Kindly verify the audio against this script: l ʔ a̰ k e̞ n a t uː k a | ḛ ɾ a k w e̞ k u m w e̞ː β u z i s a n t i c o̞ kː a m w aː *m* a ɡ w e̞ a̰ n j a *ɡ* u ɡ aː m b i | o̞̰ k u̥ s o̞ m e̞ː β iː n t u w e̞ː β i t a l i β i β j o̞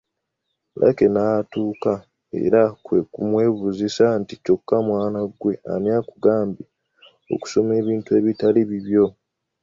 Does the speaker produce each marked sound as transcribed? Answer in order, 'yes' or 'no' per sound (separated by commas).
no, no